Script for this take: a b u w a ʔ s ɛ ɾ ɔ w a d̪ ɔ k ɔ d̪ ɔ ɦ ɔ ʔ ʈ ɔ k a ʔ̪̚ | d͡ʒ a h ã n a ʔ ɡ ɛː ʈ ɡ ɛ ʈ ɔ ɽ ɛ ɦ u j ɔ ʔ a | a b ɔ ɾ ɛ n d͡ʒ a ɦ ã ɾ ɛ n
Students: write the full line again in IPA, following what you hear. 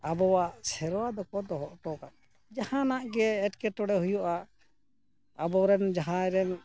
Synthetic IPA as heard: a b ɔ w a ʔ s ɛ ɾ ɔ w a d̪ ɔ k ɔ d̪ ɔ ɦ ɔ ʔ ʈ ɔ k a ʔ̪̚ | d͡ʒ a h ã n a ʔ ɡ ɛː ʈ k ɛ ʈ ɔ ɽ ɛ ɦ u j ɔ ʔ a | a b ɔ ɾ ɛ n d͡ʒ a ɦ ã ɾ ɛ n